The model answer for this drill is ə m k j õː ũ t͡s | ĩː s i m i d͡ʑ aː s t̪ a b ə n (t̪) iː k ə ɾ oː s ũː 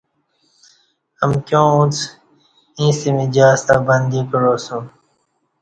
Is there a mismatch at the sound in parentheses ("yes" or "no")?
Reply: yes